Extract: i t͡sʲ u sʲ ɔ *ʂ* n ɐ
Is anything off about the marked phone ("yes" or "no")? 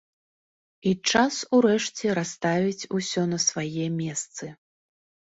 yes